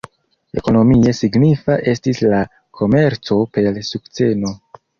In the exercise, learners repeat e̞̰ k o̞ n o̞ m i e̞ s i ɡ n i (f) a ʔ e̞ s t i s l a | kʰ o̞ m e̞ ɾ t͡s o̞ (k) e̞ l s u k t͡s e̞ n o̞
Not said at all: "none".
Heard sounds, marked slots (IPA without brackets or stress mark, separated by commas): f, p